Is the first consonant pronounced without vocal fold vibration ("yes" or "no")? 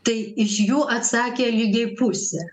yes